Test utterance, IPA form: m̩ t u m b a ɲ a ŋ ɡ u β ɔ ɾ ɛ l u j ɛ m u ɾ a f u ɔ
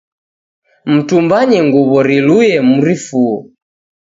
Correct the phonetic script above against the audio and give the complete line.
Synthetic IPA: m̩ t u m b a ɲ ɛ ŋ ɡ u β ɔ ɾ i l u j ɛ m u ɾ i f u ɔ